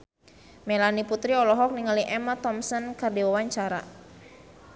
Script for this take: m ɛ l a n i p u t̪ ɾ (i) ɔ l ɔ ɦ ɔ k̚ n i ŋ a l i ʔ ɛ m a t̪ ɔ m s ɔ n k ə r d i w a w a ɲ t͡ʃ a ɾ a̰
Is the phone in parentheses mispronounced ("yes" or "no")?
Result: no